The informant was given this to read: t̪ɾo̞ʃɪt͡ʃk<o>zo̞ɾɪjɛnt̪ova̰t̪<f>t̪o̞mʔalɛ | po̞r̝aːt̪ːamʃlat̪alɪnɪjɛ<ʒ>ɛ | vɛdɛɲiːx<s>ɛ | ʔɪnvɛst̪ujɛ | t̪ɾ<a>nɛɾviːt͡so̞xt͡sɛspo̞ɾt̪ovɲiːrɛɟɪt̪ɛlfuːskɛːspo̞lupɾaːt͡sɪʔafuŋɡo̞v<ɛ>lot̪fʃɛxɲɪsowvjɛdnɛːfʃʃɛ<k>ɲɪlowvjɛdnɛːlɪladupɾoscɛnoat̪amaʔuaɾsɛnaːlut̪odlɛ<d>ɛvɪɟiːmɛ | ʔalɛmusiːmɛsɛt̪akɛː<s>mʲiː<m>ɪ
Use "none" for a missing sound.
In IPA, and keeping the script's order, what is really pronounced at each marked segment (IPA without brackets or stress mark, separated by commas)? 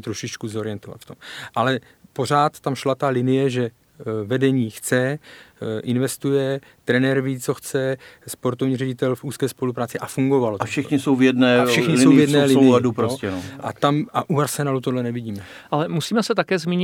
u, f, ʒ, t͡s, ɛ, a, x, n, z, ɲ